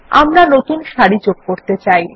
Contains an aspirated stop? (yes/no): no